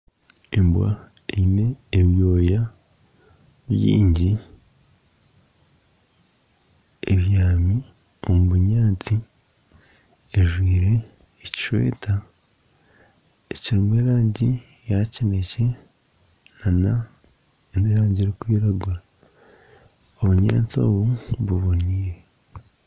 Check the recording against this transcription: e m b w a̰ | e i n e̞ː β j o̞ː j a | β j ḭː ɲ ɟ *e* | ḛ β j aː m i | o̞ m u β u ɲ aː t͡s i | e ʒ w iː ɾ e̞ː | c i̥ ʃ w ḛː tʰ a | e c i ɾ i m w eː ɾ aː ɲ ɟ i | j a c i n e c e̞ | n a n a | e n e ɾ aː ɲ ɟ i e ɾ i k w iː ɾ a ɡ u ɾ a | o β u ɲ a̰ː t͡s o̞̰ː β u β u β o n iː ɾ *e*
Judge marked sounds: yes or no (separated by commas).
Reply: no, yes